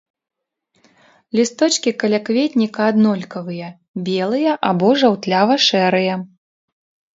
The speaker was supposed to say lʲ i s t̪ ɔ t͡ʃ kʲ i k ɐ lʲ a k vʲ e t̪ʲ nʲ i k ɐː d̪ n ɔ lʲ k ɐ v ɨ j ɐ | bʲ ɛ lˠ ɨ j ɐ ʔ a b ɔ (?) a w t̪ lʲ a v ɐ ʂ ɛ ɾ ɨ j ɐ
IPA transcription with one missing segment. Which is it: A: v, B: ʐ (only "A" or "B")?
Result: B